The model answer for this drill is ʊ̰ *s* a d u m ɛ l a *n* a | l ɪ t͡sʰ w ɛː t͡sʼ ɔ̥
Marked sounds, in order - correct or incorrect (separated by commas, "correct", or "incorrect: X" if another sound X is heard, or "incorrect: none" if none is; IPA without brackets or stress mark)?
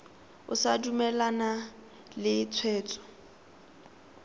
correct, correct